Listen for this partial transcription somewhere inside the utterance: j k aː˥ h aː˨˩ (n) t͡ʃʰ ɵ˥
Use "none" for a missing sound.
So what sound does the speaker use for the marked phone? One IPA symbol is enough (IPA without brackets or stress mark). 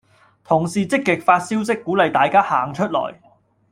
ŋ